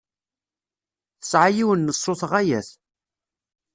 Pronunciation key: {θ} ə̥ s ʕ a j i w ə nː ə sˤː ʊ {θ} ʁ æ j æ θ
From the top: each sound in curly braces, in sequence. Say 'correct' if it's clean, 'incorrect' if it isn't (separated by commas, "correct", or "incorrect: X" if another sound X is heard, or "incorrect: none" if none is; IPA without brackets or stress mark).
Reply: correct, correct